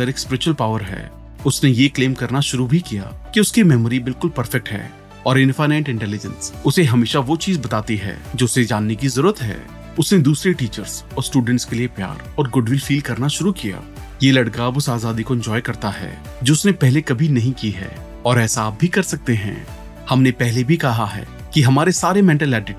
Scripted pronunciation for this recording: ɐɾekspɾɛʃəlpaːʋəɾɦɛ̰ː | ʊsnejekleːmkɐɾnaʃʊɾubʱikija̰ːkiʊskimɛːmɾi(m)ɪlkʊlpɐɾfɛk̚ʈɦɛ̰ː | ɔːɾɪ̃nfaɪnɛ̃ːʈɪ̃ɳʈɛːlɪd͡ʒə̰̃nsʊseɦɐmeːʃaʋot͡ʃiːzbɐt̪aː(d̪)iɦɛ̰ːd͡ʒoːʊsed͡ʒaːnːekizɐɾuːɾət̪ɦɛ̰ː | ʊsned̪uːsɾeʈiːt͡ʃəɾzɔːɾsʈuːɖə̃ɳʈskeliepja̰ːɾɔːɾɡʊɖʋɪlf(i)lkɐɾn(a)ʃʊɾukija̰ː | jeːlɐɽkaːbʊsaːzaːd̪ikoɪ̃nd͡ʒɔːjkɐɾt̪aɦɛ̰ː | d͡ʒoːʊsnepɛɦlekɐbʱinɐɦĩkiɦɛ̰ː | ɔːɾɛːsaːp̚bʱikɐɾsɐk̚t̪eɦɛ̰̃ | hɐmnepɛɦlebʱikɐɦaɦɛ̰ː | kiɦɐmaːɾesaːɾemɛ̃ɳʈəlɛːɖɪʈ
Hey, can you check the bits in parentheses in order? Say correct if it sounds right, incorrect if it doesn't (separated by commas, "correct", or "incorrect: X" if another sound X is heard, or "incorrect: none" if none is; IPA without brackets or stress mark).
incorrect: b, incorrect: t̪, incorrect: iː, correct